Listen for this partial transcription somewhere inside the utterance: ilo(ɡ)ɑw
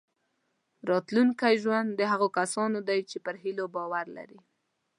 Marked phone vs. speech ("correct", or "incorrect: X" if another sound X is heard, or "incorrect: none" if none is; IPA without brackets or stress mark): incorrect: b